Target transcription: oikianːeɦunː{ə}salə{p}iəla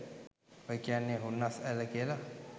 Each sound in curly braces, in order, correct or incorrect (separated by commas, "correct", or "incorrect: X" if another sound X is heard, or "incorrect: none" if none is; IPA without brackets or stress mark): incorrect: a, incorrect: k